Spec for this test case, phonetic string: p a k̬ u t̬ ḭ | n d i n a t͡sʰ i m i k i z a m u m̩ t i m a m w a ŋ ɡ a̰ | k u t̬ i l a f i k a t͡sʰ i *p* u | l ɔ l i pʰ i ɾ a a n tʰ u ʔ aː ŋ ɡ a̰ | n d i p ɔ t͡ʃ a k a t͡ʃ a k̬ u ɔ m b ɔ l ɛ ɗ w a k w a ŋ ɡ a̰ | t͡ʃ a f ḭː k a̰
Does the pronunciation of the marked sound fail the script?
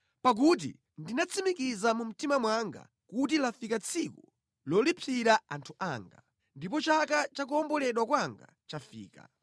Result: yes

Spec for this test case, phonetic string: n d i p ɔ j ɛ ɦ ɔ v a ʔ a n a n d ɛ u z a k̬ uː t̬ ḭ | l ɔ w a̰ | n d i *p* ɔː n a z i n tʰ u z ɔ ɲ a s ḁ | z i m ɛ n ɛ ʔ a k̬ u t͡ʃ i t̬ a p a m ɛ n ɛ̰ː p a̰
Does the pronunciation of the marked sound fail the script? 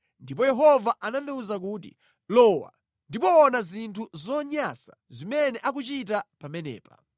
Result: no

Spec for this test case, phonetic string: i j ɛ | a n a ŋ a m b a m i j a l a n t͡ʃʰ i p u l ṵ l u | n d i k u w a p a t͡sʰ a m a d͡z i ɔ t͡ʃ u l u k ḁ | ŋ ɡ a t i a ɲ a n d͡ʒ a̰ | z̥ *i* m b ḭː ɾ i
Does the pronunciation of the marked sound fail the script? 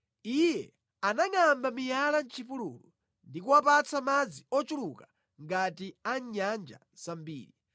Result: yes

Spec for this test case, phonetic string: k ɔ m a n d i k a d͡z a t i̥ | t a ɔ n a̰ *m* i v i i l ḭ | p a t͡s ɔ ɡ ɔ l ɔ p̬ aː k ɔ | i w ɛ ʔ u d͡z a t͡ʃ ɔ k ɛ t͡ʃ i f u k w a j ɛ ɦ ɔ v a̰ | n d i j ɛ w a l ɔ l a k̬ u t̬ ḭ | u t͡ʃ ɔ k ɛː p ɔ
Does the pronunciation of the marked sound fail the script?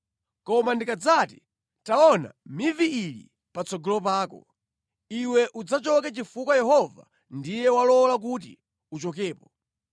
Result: no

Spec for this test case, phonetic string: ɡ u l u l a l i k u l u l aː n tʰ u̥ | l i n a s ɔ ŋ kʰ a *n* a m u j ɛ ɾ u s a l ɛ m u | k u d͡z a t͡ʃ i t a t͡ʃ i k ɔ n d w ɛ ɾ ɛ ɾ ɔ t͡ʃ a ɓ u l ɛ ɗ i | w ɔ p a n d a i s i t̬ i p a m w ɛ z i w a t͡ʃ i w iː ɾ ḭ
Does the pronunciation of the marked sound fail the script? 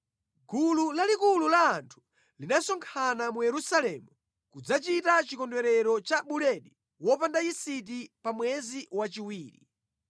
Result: no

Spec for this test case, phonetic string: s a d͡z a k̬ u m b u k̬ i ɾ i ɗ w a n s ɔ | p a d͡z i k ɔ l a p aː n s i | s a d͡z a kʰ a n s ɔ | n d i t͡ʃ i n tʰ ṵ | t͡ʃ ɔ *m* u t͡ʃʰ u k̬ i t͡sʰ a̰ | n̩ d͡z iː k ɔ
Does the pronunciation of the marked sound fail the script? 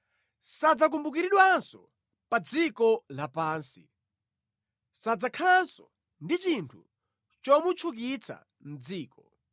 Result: no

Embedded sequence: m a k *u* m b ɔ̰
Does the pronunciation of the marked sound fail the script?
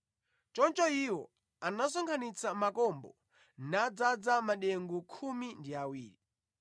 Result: yes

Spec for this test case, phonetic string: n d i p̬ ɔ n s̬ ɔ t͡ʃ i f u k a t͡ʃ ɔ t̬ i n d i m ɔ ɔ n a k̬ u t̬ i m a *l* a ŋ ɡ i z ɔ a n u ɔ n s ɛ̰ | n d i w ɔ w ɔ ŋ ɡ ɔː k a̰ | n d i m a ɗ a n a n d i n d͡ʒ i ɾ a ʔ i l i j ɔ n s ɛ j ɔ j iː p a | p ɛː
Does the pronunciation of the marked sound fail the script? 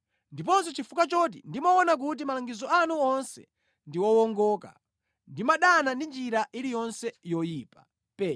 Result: no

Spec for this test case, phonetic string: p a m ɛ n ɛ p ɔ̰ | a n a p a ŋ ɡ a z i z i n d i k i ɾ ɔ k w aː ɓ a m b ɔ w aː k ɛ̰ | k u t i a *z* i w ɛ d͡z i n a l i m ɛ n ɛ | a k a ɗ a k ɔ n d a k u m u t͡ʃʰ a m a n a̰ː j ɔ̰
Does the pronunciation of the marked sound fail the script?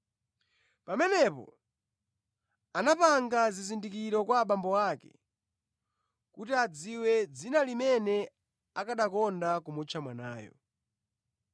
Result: yes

